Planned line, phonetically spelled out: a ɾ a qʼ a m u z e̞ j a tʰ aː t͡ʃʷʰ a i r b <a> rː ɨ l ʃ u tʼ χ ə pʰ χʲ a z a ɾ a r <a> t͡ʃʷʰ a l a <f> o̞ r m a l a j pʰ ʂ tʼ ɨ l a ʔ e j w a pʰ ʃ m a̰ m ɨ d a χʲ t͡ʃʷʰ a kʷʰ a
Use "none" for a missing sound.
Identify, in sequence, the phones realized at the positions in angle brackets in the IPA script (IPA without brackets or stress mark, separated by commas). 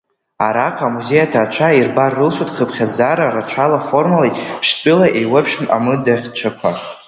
a, a, f